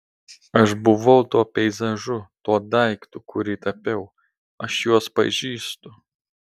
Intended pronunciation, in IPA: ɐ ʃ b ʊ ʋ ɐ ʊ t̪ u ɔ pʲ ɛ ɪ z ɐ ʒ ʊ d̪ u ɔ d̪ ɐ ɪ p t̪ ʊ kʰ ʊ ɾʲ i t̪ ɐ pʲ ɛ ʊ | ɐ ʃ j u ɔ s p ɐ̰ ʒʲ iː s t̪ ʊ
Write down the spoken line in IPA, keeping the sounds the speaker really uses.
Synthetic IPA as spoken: ɐ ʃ b ʊ ʋ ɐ ʊ t̪ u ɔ pʲ ɛ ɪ z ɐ ʒ ʊ t̪ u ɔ d̪ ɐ ɪ k t̪ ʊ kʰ ʊ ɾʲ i t̪ ɐ pʲ ɛ ʊ | ɐ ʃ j u ɔ s p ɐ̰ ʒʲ iː s t̪ ʊ